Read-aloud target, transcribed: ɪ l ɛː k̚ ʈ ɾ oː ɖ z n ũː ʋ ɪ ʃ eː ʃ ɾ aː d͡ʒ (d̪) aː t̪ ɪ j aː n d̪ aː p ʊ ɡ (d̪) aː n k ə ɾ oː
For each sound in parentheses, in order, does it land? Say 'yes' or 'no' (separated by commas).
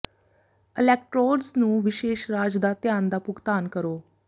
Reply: yes, no